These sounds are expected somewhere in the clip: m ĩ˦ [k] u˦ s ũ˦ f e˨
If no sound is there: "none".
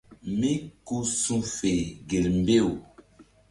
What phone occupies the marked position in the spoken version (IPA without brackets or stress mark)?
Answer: k